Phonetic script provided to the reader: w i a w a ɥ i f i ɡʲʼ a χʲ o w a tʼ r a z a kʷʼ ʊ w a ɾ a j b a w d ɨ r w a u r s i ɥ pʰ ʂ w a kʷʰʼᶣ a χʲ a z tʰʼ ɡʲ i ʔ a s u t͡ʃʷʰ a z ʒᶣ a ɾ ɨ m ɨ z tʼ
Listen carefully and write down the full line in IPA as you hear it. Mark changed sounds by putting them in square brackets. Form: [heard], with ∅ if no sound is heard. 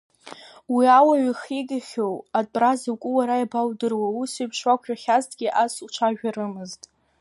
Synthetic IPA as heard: w i a w a ɥ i [χ] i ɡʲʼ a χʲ o w a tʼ r a z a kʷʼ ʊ w a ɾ a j b a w d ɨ r w a u [∅] s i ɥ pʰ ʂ w a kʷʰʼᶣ a χʲ a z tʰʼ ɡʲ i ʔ a s u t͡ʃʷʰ a [∅] ʒᶣ a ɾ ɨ m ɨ z tʼ